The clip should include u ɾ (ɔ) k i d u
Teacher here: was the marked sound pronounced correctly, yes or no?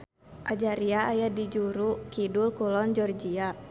no